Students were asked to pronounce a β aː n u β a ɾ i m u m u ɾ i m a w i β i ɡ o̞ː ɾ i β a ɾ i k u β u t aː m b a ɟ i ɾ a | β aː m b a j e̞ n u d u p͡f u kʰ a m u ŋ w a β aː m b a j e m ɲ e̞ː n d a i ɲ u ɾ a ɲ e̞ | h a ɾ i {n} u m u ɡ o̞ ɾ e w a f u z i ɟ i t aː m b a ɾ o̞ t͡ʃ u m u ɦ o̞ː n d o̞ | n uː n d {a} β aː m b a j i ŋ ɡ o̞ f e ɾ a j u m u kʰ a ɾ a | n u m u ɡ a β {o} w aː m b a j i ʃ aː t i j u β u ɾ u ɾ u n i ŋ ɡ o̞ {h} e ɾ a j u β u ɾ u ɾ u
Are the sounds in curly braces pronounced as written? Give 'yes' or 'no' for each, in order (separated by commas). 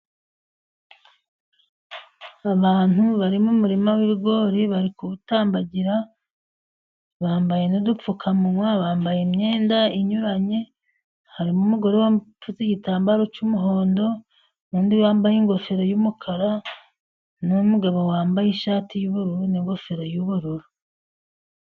no, no, yes, no